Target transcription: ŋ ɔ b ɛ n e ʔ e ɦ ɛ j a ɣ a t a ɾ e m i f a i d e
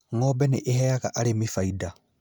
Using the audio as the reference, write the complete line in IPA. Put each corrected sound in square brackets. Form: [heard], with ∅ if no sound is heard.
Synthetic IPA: ŋ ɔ b ɛ n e ʔ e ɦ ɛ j a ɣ a [ʔ] a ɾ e m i f a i d [a]